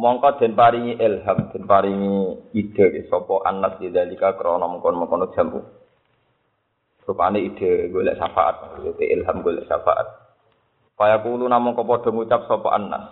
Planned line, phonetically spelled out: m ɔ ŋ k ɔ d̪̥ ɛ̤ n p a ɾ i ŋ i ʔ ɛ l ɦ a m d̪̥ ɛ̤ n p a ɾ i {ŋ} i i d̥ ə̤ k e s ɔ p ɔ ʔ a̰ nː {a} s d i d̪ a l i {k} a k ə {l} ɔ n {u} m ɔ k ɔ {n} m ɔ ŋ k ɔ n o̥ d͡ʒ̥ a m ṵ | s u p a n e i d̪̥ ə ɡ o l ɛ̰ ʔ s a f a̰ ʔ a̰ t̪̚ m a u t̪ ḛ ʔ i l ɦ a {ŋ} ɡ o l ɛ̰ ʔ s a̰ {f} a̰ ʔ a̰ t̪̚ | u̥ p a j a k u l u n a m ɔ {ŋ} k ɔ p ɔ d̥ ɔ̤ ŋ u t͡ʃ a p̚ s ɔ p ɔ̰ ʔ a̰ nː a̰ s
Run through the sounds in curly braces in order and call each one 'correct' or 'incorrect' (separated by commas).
correct, correct, correct, incorrect, incorrect, correct, incorrect, correct, correct